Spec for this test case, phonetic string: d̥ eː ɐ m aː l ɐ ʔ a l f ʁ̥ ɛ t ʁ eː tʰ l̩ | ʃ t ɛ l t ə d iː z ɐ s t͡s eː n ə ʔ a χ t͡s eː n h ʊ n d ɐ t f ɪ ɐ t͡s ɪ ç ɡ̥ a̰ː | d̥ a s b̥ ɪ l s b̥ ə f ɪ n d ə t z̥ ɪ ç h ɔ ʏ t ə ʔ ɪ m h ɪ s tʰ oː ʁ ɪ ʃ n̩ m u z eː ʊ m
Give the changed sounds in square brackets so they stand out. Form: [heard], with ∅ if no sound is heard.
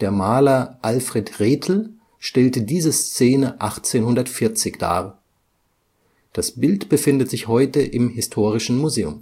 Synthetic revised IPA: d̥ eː ɐ m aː l ɐ ʔ a l f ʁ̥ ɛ t ʁ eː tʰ l̩ | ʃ t ɛ l t ə d iː z [ə] s t͡s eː n ə ʔ a χ t͡s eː n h ʊ n d ɐ t f ɪ ɐ t͡s ɪ ç [d̥] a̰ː | d̥ a s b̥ ɪ l [t] b̥ ə f ɪ n d ə t z̥ ɪ ç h ɔ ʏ t ə ʔ ɪ m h ɪ s tʰ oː ʁ ɪ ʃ n̩ m u z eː ʊ m